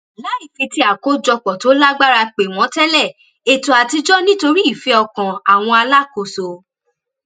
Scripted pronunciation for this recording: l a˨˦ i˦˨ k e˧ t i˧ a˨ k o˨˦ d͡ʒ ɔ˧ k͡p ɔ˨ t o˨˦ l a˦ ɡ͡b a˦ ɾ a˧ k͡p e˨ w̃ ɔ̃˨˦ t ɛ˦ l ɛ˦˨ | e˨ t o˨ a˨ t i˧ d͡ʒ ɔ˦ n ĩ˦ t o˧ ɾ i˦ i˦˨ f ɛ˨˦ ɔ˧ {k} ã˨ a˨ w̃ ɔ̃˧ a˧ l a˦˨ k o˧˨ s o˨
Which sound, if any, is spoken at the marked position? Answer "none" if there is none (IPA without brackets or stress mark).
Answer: k